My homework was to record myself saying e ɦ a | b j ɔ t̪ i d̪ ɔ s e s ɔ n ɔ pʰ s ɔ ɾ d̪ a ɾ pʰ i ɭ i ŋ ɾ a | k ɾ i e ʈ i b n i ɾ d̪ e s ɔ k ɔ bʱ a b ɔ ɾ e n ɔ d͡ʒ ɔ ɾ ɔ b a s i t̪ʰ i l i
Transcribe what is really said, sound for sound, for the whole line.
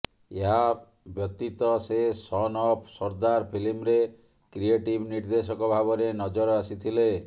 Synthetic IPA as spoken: e ɦ a | b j ɔ t̪ i t̪ ɔ s e s ɔ n ɔ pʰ s ɔ ɾ d̪ a ɾ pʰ i l i m ɾ e | k ɾ i e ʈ i b n i ɾ d̪ e s ɔ k ɔ bʱ a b ɔ ɾ e n ɔ d͡ʒ ɔ ɾ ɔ a s i t̪ʰ i l e